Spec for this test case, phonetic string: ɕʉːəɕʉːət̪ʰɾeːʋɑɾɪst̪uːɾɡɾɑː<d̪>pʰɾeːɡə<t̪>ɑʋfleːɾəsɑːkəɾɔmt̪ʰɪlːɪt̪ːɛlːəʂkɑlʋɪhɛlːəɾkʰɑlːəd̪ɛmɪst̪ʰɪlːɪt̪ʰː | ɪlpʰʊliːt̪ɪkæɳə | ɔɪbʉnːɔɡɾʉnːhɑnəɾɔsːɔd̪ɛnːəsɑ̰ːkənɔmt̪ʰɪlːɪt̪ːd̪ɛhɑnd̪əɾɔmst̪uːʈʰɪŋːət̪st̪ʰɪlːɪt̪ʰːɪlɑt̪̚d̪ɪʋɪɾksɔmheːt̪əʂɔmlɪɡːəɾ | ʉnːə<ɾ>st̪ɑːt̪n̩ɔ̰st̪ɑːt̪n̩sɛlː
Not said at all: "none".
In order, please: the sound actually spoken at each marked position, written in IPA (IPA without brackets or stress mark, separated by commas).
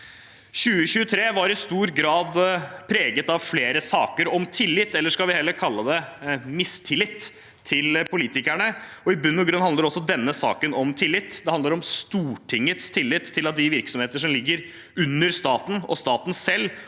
d̪, t̪, ɾ